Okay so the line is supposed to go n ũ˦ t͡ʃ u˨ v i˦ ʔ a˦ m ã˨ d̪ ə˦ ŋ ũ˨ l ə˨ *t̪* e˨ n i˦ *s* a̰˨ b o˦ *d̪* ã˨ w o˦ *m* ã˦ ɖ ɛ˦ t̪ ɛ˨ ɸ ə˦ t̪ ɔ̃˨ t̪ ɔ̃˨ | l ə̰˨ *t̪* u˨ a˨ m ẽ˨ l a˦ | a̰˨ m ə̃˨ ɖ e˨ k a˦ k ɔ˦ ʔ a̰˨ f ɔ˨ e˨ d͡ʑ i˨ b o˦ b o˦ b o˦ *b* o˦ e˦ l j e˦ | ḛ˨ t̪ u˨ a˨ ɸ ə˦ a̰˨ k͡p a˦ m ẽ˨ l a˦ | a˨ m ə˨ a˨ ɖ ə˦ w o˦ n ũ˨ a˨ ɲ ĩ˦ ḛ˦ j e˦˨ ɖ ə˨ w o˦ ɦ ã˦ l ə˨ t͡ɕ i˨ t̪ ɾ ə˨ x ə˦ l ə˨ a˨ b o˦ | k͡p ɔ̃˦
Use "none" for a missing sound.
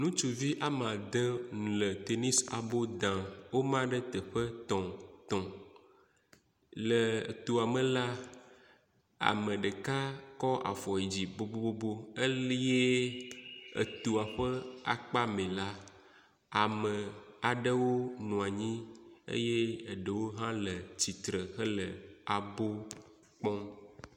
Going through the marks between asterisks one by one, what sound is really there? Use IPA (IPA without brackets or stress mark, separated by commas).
t̪, s, d̪, m, t̪, b